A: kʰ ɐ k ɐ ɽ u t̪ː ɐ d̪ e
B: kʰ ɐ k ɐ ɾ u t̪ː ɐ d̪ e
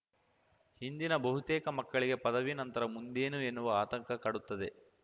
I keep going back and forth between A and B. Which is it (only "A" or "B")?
A